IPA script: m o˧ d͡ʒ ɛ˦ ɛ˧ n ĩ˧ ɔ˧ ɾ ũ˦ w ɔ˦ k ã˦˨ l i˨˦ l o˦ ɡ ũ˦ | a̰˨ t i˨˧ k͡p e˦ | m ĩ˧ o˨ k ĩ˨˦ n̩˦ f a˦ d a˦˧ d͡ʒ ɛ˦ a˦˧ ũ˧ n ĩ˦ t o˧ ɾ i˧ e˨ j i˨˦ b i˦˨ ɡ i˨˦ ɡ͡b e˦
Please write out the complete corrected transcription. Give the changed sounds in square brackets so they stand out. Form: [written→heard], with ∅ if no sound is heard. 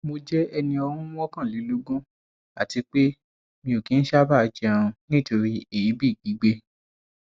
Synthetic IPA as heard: m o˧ d͡ʒ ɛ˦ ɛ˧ n ĩ˧ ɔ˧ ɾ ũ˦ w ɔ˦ k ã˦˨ l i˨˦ l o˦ ɡ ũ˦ | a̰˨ t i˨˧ k͡p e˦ | m ĩ˧ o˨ k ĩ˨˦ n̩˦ [f→ʃ] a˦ [d→b] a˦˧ d͡ʒ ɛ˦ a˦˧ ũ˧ n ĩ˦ t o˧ ɾ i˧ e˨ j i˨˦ b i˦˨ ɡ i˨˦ ɡ͡b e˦

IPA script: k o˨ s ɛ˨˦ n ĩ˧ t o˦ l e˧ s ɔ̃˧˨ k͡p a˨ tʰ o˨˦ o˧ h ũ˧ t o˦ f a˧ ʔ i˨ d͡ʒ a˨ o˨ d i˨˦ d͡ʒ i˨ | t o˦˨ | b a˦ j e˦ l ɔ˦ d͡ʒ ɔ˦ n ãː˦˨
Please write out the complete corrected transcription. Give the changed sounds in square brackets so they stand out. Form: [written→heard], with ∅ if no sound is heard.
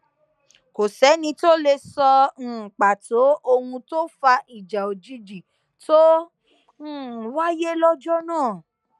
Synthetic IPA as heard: k o˨ s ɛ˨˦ n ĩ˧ t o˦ l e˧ s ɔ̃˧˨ k͡p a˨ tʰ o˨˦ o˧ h ũ˧ t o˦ f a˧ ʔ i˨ d͡ʒ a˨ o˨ [d→d͡ʒ] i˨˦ d͡ʒ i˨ | t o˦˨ | [b→w] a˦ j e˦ l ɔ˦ d͡ʒ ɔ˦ n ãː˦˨

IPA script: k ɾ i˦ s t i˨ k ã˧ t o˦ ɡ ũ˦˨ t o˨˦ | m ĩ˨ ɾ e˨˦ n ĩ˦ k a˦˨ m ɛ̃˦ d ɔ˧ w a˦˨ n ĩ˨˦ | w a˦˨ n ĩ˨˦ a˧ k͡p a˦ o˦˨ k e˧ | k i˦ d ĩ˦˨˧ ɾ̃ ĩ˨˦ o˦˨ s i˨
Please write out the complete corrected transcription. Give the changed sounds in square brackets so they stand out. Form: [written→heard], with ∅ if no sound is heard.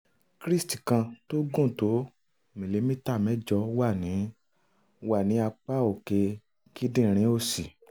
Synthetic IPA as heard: k ɾ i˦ s t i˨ k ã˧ t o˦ ɡ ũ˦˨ t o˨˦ | m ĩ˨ [ɾ→l] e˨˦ [n→m] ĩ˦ [k→t] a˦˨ m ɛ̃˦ [d→d͡ʒ] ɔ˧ w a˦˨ n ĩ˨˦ | w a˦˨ n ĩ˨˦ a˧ k͡p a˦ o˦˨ k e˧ | k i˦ d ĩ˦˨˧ ɾ̃ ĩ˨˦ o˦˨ s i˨

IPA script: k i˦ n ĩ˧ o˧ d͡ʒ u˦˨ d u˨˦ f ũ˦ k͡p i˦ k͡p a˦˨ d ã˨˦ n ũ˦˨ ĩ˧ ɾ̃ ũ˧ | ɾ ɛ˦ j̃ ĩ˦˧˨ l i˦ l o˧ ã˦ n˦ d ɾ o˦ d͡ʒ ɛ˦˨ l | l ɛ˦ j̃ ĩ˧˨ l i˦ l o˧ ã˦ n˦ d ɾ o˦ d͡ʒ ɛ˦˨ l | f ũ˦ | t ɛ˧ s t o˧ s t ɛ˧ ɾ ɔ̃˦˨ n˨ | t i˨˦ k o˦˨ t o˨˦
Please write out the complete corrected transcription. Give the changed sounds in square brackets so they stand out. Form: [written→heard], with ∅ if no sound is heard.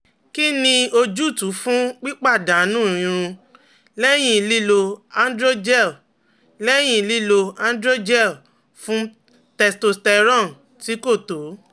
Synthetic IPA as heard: k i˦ n ĩ˧ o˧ d͡ʒ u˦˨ [d→t] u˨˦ f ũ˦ k͡p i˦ k͡p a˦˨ d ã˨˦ n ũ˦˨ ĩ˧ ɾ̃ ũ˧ | [ɾ→l] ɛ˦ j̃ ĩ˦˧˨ l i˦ l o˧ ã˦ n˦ d ɾ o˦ d͡ʒ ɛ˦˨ l | l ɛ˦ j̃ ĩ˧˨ l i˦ l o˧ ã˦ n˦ d ɾ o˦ d͡ʒ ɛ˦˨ l | f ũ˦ | t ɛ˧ s t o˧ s t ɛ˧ ɾ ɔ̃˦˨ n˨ | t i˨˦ k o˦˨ t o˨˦

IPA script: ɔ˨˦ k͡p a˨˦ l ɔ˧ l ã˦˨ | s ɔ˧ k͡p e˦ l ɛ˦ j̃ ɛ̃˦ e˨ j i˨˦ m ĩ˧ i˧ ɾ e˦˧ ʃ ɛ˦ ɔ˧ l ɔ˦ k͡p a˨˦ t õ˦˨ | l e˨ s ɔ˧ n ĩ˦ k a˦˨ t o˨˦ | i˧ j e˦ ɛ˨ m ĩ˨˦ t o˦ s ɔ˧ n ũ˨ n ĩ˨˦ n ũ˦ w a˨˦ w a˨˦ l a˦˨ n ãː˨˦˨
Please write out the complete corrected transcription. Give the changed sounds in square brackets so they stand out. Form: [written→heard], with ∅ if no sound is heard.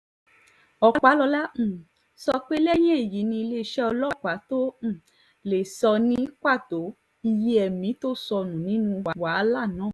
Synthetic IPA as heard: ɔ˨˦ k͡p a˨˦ l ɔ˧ l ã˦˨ | s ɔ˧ k͡p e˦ l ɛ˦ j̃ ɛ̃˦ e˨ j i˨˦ [m→n] ĩ˧ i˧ [ɾ→l] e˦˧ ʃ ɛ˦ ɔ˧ l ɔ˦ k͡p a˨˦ t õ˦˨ | l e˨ s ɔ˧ n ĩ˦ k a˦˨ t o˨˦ | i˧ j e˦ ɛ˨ m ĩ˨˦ t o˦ s ɔ˧ n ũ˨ n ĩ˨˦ n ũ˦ w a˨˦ w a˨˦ l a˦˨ n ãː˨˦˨

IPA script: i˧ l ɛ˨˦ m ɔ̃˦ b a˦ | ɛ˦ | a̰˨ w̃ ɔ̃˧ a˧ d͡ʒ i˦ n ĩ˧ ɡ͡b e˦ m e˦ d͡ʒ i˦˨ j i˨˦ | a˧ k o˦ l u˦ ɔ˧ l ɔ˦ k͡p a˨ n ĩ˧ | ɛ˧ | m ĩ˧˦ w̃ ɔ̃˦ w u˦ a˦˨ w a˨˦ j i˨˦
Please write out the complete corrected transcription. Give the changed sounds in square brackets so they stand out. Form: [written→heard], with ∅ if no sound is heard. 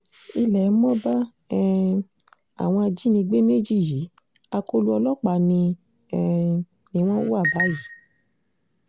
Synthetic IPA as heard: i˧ l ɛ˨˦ m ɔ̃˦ b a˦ | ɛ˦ | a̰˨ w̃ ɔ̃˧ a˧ d͡ʒ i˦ n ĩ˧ ɡ͡b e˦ m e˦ d͡ʒ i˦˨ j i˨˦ | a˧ k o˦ l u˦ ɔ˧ l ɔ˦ k͡p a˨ n ĩ˧ | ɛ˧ | [m→n] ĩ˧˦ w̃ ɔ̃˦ w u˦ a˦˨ [w→b] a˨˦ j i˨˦

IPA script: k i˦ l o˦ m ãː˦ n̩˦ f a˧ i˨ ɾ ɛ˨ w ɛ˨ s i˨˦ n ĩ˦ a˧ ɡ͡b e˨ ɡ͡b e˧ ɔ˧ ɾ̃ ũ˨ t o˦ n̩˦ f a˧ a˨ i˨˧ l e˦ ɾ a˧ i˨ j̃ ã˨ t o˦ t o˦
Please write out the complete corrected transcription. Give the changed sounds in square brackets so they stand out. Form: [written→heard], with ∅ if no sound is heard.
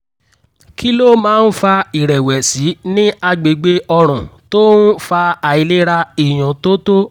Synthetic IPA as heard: k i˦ l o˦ m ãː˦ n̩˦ f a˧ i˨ ɾ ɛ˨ w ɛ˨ s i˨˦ n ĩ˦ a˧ ɡ͡b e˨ ɡ͡b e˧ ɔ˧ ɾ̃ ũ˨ t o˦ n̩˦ f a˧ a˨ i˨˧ l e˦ ɾ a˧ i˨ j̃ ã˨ t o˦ t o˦

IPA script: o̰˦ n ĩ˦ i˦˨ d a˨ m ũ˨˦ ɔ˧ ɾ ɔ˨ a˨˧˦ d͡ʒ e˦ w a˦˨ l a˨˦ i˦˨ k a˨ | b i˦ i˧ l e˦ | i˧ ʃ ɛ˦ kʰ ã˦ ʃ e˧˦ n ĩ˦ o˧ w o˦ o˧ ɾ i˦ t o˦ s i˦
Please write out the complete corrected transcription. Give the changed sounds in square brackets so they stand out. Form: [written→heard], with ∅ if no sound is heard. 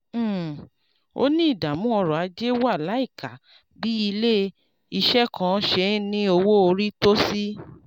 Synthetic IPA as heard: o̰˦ n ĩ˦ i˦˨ d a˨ m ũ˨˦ ɔ˧ ɾ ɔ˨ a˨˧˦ d͡ʒ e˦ w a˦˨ l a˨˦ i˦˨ k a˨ | b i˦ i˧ l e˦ | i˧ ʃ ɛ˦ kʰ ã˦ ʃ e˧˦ n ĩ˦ o˧ w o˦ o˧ ɾ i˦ t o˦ s i˦

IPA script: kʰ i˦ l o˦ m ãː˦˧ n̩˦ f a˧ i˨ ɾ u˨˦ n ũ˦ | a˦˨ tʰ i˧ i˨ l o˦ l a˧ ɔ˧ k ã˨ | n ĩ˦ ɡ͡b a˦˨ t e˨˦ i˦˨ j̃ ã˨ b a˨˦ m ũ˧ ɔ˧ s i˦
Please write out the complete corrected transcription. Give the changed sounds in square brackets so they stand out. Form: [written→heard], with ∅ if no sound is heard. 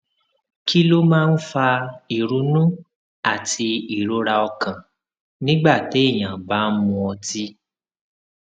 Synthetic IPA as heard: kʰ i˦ l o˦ m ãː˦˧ n̩˦ f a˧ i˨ ɾ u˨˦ n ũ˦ | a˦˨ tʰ i˧ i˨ [l→ɾ] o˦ [l→ɾ] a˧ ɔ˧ k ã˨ | n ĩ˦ ɡ͡b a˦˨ t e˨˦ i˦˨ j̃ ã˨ b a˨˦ m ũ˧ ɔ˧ [s→t] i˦

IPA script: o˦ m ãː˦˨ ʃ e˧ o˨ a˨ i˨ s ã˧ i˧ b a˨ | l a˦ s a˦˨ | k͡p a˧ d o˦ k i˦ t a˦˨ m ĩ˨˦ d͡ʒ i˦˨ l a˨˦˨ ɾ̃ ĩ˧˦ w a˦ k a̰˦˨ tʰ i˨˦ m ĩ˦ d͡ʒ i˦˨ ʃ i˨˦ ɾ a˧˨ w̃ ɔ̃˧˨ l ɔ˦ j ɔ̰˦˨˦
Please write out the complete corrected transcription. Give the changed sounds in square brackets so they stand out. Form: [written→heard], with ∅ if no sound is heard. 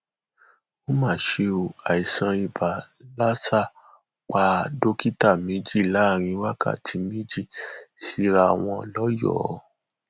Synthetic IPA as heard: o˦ m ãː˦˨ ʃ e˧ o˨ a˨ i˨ s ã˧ i˧ b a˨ | l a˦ s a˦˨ | k͡p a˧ d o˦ k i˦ t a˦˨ m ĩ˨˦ d͡ʒ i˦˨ l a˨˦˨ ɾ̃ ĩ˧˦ w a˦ k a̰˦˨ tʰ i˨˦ m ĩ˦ d͡ʒ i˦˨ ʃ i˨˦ ɾ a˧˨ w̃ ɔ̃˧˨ l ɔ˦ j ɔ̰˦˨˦

